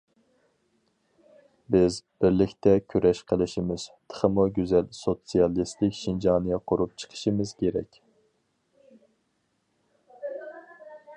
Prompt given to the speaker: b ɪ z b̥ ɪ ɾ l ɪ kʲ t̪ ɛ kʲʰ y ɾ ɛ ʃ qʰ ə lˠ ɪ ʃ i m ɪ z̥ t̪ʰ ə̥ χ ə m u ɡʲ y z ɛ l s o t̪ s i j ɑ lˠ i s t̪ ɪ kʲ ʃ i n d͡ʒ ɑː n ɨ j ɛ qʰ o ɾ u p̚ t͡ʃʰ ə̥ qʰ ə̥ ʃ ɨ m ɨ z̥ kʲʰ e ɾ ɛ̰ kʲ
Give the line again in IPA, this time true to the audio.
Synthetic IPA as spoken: b ɪ z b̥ ɪ ɾ l ɪ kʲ t̪ ɛ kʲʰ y ɾ ɛ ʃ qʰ ə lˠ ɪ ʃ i m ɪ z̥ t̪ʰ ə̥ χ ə m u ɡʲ y z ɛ l s o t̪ s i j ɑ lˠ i s t̪ ɪ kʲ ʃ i n d͡ʒ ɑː n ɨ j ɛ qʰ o ɾ u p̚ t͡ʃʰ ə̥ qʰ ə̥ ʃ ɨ m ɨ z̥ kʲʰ e ɾ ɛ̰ kʲ